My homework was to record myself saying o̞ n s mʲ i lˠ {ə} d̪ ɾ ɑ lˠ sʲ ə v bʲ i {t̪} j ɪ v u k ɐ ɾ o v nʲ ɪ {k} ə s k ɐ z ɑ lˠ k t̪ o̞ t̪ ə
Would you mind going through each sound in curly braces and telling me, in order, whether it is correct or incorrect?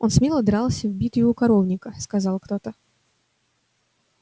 correct, correct, correct

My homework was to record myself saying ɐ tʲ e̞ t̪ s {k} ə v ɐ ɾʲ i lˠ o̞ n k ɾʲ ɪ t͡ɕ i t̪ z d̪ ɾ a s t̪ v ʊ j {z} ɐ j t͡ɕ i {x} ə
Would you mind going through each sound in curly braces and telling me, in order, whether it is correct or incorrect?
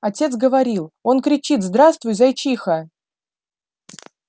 incorrect: ɡ, correct, correct

